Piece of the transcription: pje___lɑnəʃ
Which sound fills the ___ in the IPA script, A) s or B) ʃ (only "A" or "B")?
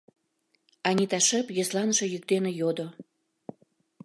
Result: A